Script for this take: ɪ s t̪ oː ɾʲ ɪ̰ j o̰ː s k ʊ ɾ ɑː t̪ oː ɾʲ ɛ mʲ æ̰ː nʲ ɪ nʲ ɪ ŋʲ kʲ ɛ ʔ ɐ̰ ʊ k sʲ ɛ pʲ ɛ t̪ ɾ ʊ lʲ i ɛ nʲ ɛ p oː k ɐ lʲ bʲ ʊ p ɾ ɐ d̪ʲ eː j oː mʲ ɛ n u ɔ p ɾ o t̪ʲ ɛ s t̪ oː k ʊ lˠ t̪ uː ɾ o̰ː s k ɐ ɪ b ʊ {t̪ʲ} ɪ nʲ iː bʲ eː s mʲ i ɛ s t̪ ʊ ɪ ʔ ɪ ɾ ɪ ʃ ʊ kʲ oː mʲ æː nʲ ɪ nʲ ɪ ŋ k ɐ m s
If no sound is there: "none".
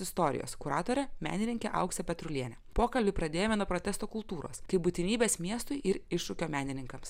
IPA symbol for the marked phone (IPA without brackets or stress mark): t̪ʲ